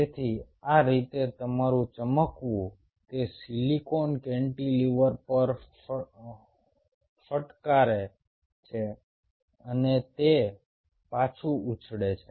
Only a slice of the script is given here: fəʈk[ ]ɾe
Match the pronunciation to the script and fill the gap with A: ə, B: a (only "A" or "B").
B